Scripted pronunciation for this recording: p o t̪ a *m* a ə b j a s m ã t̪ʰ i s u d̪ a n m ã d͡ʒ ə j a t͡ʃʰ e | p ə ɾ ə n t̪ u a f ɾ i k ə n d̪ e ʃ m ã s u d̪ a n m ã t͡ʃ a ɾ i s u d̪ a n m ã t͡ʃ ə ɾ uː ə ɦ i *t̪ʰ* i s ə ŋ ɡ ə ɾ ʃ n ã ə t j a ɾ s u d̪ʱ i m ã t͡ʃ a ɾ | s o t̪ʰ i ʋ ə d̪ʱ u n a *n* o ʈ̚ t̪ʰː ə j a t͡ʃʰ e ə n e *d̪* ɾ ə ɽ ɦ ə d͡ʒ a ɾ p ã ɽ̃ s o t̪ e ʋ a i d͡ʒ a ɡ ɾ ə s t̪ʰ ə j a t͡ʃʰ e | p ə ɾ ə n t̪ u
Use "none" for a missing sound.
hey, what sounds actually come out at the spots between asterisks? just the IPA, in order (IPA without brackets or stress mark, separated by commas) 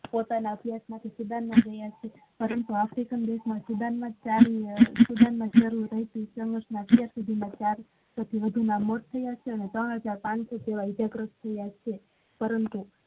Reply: n, t̪, m, t̪